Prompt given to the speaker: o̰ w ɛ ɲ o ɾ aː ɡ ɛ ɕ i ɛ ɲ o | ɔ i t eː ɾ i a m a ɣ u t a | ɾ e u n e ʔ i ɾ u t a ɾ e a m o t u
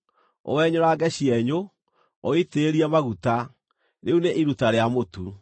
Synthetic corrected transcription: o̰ w ɛ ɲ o ɾ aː ɡ ɛ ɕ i ɛ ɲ o | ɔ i t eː ɾ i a m a ɣ u t a | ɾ e u n e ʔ i ɾ u t a ɾ e a m o t u